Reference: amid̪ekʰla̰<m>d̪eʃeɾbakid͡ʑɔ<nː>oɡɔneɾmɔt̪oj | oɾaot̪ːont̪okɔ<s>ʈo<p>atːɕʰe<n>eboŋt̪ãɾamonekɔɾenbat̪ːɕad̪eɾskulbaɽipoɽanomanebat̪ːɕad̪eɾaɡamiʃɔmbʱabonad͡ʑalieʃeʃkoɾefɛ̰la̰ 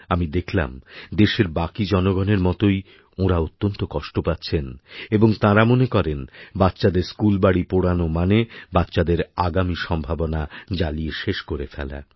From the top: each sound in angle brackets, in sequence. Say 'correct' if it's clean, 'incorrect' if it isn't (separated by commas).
correct, incorrect, incorrect, correct, correct